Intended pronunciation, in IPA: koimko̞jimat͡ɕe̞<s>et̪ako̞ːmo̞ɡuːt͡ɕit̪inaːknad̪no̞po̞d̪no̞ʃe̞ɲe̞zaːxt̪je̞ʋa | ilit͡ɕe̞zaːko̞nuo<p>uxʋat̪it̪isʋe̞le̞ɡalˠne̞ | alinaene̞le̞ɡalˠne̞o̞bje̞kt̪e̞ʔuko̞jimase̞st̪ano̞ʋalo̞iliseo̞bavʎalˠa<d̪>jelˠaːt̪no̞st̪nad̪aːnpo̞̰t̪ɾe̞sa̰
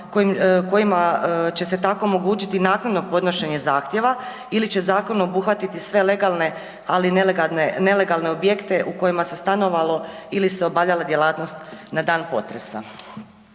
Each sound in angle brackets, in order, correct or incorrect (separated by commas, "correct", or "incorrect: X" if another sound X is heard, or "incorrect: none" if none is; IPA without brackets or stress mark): correct, incorrect: b, correct